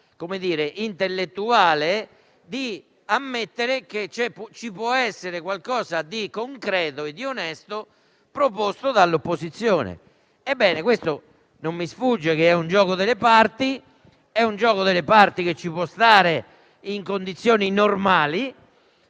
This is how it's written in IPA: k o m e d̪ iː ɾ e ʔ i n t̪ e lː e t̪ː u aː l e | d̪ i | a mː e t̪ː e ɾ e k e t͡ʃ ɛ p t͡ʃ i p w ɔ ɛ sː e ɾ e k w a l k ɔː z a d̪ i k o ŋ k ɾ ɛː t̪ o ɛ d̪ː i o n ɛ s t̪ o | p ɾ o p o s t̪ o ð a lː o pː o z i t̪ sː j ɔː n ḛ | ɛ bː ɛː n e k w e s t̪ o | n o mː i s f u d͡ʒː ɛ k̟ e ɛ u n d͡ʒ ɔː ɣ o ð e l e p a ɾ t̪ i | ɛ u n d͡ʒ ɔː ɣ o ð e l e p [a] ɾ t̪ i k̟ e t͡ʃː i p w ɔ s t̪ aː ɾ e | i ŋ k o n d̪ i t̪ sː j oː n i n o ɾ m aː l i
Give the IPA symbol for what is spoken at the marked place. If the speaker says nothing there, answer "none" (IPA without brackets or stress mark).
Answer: a